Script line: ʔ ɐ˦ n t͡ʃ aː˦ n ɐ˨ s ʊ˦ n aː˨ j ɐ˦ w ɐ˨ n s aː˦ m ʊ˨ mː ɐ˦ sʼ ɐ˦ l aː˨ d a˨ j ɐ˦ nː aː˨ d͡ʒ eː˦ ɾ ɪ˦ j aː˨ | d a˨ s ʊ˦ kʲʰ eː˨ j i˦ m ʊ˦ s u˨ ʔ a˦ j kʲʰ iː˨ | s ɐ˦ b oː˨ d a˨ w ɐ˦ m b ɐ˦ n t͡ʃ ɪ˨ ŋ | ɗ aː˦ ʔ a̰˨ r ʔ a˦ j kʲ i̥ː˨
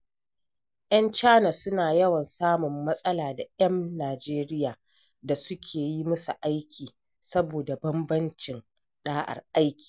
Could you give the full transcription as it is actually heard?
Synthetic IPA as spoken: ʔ ɐ˦ n t͡ʃ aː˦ n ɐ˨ s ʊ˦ n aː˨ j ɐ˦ w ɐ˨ n s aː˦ m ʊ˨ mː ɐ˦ sʼ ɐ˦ l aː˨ d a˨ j ɐ˦ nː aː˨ d͡ʒ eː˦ ɾ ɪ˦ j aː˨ | d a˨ s ʊ˦ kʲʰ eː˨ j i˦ m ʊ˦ s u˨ ʔ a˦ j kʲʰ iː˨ | s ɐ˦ b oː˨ d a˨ b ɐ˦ m b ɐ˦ n t͡ʃ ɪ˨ n | ɗ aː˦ ʔ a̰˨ r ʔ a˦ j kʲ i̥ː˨

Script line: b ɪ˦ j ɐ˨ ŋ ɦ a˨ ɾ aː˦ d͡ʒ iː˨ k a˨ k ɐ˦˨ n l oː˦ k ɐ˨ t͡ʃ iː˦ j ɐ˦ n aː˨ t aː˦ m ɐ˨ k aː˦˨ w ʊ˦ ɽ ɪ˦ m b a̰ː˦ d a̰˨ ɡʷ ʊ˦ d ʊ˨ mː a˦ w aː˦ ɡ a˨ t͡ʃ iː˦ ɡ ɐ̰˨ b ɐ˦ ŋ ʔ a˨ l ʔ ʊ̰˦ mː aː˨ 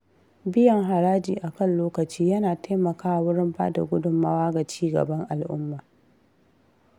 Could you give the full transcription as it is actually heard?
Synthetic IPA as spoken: b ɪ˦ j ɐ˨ ŋ ɦ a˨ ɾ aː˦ d͡ʒ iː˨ ʔ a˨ k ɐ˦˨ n l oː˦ k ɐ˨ t͡ʃ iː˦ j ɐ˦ n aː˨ t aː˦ m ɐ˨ k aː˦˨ w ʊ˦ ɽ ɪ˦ m b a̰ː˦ d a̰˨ ɡʷ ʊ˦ d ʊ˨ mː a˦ w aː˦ ɡ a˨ t͡ʃ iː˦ ɡ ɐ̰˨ b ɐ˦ ŋ ʔ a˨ l ʔ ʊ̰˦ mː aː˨

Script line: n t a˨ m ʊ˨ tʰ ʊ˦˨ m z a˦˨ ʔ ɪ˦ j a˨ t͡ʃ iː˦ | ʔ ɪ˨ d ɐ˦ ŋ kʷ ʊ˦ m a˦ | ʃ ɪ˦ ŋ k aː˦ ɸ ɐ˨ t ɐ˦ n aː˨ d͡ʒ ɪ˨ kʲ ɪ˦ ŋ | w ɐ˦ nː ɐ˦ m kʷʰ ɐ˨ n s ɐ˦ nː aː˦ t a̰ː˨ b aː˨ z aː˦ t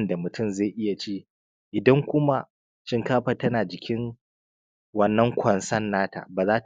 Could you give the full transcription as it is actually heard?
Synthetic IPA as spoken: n d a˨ m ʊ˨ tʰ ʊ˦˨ m z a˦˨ ʔ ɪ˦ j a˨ t͡ʃ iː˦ | ʔ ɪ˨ d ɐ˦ ŋ kʷ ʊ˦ m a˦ | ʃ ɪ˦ ŋ k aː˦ ɸ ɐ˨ t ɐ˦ n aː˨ d͡ʒ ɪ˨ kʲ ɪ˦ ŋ | w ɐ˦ nː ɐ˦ ŋ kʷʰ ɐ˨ n s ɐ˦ nː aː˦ t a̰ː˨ b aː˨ z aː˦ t

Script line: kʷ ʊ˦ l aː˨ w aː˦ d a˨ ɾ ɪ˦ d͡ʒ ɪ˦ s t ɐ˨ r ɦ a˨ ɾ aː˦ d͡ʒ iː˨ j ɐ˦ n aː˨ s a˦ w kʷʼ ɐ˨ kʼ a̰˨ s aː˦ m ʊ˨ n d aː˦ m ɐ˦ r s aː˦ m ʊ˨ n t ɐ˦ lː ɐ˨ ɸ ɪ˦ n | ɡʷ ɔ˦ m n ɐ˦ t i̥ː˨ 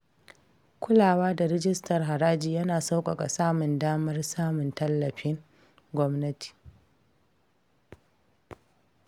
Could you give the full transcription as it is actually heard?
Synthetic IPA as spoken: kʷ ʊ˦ l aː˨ w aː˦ d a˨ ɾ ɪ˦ d͡ʒ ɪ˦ s t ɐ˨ r ɦ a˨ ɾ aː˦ d͡ʒ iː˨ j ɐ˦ n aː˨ s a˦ w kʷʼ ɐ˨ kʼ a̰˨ s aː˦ m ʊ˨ n d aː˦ m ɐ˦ r s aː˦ m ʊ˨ n t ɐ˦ lː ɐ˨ ɸ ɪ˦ ŋ | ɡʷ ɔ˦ m n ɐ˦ t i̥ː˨

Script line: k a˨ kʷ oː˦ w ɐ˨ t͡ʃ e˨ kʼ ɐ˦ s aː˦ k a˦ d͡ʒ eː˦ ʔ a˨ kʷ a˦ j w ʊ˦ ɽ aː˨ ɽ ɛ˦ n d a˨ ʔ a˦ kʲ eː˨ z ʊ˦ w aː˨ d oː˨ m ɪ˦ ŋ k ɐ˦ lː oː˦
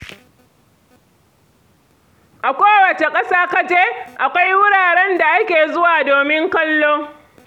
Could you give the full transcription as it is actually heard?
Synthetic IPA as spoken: ʔ a˨ kʷ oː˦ w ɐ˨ t͡ʃ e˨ kʼ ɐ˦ s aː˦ k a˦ d͡ʒ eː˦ ʔ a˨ kʷ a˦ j w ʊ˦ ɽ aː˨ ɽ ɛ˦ n d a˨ ʔ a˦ kʲ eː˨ z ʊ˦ w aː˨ d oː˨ m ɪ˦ ŋ k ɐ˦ lː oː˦

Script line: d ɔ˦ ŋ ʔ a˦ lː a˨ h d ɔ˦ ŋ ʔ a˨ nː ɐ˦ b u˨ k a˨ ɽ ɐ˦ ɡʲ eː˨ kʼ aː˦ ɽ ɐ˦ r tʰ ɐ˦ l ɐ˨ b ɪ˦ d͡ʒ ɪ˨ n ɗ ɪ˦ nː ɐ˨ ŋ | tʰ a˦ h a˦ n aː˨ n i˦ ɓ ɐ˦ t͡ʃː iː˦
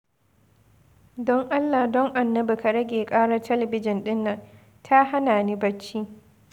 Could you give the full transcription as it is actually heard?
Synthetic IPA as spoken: d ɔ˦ ŋ ʔ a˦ lː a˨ h d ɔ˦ ŋ ʔ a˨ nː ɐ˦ b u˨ k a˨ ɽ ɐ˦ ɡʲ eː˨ kʼ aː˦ ɽ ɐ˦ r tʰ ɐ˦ l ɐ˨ b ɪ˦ d͡ʒ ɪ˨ n ɗ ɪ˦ nː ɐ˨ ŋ | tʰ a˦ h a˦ n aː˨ n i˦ b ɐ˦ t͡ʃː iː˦

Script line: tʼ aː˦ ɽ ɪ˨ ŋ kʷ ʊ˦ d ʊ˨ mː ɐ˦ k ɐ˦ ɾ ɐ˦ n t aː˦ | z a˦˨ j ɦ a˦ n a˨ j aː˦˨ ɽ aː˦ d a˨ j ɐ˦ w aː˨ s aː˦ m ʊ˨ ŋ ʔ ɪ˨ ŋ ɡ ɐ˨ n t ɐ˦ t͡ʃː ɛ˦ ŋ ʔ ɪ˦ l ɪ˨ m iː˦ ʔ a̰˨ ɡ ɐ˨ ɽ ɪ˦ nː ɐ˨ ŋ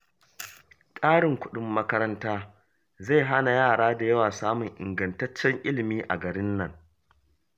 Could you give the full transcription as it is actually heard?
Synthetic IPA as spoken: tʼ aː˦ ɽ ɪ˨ ŋ kʷ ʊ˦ ɗ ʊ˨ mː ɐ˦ k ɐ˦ ɾ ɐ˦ n t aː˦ | z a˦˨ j ɦ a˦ n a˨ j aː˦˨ ɽ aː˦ d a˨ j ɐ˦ w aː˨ s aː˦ m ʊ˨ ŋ ʔ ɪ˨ ŋ ɡ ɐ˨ n t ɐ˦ t͡ʃː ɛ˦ ŋ ʔ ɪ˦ l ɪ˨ m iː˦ ʔ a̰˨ ɡ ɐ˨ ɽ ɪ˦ nː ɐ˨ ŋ

